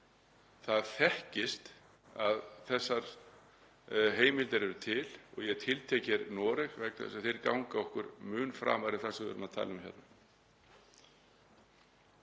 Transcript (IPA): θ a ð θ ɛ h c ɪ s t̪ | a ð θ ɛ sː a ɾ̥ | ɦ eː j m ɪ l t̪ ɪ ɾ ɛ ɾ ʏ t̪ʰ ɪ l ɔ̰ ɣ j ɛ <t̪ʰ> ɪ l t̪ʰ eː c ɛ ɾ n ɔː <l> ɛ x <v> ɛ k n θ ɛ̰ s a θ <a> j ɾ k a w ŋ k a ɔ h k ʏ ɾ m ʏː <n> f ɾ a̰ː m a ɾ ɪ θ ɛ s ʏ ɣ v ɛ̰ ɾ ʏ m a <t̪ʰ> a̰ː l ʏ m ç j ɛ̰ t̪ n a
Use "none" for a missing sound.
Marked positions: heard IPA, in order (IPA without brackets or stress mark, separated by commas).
t̪ʰ, ɾ, v, e, n, t̪ʰ